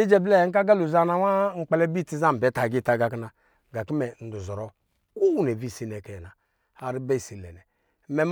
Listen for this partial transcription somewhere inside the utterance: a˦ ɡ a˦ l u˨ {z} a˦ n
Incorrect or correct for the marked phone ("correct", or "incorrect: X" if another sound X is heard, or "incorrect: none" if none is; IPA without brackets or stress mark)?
correct